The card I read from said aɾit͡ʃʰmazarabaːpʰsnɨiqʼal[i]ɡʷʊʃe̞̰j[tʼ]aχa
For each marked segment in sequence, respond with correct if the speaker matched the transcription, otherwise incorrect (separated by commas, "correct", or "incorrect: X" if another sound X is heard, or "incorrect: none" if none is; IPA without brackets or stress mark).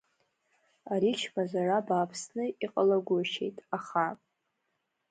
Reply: incorrect: a, correct